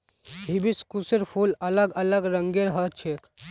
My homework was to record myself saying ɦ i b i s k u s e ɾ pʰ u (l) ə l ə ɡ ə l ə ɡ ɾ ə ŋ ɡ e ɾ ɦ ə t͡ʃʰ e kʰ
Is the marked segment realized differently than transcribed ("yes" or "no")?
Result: no